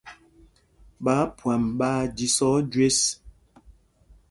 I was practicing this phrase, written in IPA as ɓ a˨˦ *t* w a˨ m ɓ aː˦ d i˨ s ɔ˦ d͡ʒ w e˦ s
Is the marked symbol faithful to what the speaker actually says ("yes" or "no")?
no